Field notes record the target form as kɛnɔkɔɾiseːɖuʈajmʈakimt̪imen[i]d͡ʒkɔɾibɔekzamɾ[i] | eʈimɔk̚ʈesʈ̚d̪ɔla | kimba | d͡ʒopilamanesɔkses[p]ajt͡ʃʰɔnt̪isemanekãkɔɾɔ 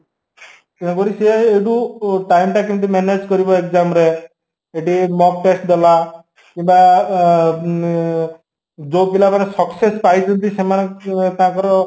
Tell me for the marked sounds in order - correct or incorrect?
incorrect: e, incorrect: e, correct

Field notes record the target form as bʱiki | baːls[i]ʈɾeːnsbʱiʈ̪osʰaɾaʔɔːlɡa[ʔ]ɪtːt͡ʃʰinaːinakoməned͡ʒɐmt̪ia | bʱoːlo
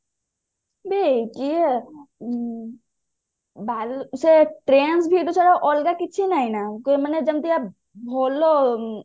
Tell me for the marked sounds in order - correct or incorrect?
incorrect: e, incorrect: k

